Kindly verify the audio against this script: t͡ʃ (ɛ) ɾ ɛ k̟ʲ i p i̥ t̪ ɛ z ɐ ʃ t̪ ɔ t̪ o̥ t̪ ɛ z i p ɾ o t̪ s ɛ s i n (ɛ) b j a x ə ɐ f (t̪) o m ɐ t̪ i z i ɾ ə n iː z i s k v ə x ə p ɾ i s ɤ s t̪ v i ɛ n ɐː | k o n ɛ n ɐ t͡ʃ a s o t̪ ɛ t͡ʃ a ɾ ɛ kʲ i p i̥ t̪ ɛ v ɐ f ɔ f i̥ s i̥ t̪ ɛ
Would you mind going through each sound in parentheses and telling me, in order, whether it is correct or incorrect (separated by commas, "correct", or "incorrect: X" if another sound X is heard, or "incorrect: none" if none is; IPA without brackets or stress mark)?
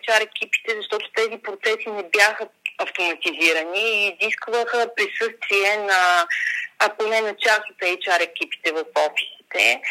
incorrect: a, correct, correct